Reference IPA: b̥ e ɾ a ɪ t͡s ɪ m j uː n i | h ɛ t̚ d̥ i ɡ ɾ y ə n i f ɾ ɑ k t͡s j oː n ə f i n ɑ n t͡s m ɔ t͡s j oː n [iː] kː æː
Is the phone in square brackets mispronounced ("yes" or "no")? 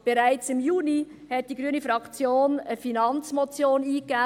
no